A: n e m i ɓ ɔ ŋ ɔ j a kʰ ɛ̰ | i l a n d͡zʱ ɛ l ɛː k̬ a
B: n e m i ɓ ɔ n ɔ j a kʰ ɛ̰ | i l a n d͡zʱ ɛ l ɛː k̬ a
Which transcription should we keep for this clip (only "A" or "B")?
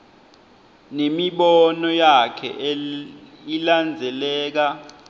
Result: B